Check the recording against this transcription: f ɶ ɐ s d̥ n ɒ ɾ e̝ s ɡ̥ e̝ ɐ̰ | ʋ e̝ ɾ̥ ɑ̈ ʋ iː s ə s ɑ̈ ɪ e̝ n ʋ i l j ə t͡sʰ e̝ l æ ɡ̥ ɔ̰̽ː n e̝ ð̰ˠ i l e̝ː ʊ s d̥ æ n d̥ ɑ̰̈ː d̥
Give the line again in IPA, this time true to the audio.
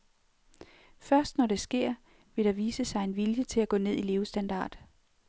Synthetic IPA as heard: f ɶ ɐ s d̥ n ɒ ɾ e̝ s ɡ̥ e̝ ɐ̰ | ʋ e̝ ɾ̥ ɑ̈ ʋ iː s ə s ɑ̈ ɪ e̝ n ʋ i l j ə t͡sʰ e̝ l æ ɡ̥ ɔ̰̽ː n e̝ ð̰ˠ i l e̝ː ʊ s d̥ æ n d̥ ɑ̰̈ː d̥